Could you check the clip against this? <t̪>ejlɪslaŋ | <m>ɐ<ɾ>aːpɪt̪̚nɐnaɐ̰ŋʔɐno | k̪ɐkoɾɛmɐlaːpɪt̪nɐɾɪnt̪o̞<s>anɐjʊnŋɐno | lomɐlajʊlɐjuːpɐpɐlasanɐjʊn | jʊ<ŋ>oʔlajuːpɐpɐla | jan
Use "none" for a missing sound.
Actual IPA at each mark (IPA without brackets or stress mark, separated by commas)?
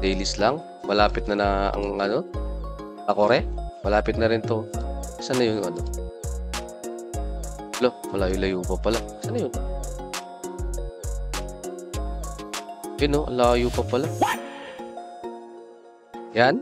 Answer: d̪, m, l, s, n